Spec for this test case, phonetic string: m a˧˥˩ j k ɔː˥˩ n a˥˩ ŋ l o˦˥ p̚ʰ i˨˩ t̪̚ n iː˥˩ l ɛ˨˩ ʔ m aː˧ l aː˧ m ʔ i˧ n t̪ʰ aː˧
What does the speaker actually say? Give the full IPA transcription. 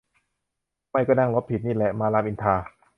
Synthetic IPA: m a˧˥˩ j k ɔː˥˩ n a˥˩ ŋ l o˦˥ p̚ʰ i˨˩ t̪̚ n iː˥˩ l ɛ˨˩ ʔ m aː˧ l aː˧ m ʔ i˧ n t̪ʰ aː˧